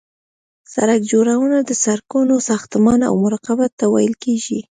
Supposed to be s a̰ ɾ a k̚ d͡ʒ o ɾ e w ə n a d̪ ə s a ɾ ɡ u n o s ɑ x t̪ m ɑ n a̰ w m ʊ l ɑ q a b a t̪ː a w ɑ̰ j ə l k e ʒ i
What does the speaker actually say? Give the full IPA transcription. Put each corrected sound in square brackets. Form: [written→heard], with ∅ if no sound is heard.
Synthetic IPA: s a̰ ɾ a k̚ d͡ʒ o ɾ [e→a] w ə n a d̪ ə s a ɾ [ɡ→k] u n o s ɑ x t̪ m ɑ n a̰ w m ʊ [l→ɾ] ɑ q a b a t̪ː a w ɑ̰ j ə l k e ʒ i